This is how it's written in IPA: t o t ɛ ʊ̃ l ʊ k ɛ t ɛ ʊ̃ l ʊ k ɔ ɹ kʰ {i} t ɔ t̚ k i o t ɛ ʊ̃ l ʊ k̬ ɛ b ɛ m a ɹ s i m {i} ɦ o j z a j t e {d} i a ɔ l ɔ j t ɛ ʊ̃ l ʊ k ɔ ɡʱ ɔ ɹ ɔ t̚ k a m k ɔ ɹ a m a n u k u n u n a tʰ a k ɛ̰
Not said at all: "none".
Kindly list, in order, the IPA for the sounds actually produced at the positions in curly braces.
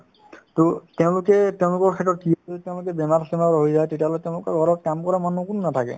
ɛ, a, t

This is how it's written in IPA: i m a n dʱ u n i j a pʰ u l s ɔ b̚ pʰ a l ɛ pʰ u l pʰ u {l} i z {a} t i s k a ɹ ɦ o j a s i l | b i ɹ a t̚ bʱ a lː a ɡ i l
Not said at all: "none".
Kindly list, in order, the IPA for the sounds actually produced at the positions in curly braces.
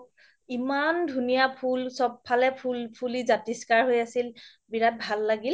l, a

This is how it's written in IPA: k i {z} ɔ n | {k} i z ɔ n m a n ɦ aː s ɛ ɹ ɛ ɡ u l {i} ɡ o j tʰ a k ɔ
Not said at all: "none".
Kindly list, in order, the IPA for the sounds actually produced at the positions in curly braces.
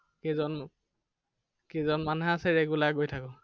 z, k, a

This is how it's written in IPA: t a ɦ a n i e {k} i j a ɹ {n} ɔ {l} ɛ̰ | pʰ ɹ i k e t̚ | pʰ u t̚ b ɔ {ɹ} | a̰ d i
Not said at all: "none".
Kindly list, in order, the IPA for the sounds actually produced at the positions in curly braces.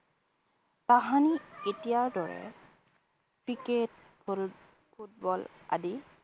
t, d, ɹ, l

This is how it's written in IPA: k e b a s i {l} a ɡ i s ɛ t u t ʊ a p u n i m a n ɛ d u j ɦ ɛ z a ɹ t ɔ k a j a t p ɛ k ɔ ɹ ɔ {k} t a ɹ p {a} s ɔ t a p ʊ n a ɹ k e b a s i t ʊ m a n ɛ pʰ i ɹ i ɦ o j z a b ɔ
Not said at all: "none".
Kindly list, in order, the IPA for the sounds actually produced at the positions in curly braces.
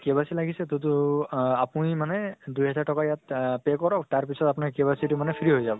l, k, i

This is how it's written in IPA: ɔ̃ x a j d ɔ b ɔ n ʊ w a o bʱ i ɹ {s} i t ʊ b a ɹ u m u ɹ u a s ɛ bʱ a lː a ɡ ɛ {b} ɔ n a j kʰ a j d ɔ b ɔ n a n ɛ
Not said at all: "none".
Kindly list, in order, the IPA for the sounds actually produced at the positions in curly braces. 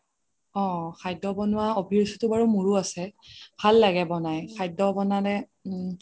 s, b

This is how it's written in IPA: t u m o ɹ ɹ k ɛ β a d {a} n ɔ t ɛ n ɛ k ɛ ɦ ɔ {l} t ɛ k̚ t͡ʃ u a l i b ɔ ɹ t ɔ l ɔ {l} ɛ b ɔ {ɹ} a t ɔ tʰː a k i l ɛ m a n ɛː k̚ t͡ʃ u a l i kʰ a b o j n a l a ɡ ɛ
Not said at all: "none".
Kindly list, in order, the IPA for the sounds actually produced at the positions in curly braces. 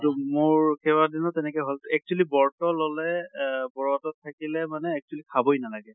i, l, l, ɹ

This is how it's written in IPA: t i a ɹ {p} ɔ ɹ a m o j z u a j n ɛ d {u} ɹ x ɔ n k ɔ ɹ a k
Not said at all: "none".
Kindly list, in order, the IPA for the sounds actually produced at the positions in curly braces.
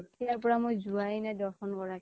p, ɔ

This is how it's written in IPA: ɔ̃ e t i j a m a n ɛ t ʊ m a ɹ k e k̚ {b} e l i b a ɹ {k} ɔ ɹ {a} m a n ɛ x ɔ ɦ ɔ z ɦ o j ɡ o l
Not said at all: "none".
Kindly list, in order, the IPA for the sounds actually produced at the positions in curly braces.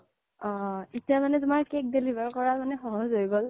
d, k, a

